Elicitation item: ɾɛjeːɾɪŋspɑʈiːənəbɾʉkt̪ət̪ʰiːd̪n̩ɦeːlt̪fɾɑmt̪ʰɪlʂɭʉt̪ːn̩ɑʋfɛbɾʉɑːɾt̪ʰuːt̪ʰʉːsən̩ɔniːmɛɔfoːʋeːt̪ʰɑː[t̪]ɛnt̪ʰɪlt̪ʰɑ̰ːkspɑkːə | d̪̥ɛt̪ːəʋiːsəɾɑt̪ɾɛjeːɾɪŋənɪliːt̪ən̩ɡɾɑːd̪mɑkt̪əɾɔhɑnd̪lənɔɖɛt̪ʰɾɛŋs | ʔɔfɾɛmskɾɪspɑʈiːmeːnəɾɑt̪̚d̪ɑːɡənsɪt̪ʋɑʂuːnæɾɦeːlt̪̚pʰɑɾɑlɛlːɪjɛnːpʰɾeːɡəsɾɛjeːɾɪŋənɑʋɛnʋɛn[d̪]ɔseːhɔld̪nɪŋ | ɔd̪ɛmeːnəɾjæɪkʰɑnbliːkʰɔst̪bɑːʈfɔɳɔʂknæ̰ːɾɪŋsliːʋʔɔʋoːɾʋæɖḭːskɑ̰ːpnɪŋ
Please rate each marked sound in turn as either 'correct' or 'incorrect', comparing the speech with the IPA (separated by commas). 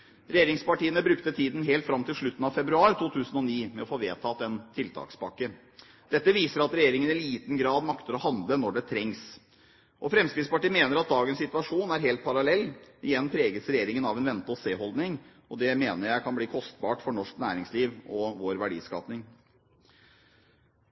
correct, incorrect